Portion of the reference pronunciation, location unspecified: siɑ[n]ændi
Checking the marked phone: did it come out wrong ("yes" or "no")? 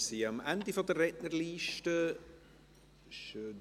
yes